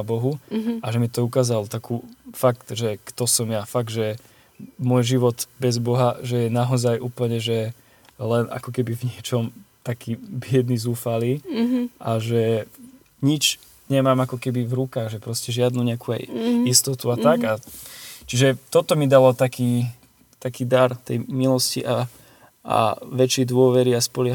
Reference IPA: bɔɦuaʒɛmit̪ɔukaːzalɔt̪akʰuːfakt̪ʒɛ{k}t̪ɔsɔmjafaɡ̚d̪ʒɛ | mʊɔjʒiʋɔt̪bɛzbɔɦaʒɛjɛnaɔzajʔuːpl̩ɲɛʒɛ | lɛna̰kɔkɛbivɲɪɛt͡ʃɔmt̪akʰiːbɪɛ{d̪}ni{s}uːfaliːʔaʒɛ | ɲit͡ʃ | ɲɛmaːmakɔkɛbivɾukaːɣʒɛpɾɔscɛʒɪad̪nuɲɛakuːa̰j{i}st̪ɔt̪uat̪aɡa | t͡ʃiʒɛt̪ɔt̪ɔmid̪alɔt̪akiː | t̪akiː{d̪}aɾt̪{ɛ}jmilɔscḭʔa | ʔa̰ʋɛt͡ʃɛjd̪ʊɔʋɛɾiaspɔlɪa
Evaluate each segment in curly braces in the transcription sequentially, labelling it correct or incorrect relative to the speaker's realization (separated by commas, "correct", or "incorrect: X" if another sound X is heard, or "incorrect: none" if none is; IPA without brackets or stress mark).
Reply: correct, correct, incorrect: z, correct, correct, correct